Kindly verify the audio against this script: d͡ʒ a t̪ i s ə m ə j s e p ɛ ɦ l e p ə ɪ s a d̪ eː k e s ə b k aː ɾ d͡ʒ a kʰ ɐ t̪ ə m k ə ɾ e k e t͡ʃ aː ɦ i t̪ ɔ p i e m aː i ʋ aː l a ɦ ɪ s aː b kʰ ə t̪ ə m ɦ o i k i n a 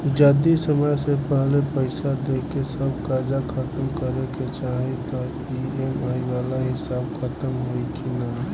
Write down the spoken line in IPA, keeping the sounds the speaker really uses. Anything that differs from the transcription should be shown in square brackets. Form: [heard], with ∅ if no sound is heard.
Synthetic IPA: d͡ʒ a [d̪] i s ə m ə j s e p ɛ ɦ l e p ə ɪ s a d̪ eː k e s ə b k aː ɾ d͡ʒ a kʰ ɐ t̪ ə m k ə ɾ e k e t͡ʃ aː ɦ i t̪ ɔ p i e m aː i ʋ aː l a ɦ ɪ s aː b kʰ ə t̪ ə m ɦ o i k i n a